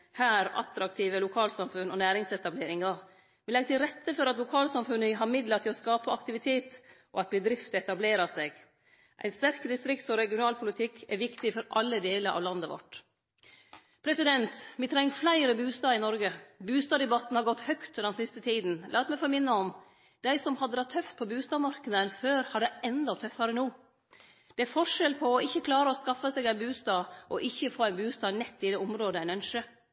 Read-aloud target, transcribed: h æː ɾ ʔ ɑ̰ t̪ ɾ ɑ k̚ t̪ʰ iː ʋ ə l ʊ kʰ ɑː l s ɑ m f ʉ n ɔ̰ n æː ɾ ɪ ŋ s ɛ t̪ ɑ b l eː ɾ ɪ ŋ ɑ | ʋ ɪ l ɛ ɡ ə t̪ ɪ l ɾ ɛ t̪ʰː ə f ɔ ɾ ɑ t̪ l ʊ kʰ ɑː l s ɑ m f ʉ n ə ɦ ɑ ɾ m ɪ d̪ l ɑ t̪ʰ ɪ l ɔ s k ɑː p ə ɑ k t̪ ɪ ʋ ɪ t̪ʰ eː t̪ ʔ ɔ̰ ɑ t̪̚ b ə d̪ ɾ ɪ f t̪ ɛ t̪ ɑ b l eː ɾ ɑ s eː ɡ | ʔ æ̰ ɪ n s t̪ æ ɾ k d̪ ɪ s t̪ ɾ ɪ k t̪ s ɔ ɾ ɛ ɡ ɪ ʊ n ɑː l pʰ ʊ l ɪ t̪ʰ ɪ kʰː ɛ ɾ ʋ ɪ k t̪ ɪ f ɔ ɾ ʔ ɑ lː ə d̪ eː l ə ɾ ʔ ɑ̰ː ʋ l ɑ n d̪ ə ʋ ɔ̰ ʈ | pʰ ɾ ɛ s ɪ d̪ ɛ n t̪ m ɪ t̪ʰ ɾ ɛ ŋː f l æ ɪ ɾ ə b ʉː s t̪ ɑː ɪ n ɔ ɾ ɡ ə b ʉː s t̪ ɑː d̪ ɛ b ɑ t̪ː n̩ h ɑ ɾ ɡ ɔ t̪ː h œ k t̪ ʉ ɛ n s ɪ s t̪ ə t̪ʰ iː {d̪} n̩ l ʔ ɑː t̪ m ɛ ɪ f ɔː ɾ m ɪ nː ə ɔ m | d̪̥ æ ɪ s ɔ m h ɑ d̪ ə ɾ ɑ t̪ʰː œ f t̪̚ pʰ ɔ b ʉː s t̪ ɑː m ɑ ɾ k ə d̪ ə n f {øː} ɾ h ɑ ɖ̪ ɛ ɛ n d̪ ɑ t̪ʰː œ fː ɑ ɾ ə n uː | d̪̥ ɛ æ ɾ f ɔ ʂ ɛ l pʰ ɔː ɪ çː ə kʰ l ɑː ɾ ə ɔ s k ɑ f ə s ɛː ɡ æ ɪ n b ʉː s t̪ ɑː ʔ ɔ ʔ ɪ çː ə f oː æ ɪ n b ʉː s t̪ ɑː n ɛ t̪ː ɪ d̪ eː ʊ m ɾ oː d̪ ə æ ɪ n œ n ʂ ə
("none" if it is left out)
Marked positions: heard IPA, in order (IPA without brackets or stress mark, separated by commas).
d̪, øː